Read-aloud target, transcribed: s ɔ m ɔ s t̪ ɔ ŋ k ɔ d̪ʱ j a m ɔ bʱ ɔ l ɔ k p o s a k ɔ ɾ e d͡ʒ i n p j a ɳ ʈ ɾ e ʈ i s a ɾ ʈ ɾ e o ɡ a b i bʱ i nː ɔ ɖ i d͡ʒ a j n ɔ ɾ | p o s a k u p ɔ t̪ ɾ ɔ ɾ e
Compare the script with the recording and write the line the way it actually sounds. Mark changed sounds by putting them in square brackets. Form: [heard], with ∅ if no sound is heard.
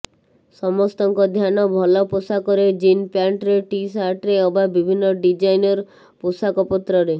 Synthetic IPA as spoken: s ɔ m ɔ s t̪ ɔ ŋ k ɔ d̪ʱ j a [n] ɔ bʱ ɔ l ɔ [∅] p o s a k ɔ ɾ e d͡ʒ i n p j a ɳ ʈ ɾ e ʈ i s a ɾ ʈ ɾ e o [b] a b i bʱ i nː ɔ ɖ i d͡ʒ a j n ɔ ɾ | p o s a k [ɔ] p ɔ t̪ ɾ ɔ ɾ e

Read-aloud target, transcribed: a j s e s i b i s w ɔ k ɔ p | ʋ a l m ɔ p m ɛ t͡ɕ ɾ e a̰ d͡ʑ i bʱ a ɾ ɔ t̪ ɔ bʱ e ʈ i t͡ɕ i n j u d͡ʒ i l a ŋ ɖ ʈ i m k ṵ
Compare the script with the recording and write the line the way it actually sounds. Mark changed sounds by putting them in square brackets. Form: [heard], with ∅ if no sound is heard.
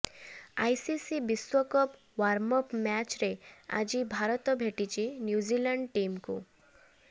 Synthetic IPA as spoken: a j s [i] s i b i s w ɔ k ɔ p | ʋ a [ɾ] m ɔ p m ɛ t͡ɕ ɾ e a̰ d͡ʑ i bʱ a ɾ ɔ t̪ ɔ bʱ e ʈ i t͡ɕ i n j u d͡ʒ i l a [ɳ] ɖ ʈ i m k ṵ

